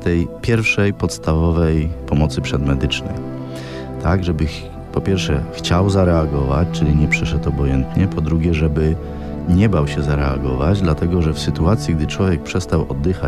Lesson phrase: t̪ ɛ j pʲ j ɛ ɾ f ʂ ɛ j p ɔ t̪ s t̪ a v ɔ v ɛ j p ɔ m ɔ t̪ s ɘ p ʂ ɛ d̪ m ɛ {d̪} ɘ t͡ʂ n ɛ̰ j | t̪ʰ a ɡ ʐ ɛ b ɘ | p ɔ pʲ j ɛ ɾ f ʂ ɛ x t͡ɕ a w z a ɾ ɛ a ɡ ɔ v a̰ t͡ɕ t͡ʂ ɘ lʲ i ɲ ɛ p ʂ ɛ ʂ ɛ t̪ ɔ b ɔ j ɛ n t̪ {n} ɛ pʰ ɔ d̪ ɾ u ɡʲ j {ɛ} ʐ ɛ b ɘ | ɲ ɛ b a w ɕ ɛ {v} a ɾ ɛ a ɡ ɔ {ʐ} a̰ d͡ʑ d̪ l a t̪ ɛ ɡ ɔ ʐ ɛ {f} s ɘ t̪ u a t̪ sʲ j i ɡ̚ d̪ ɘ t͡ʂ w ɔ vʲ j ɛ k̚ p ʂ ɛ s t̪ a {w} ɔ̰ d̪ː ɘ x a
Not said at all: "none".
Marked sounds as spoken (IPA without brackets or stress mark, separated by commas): d̪, ɲ, ɛ, z, v, f, w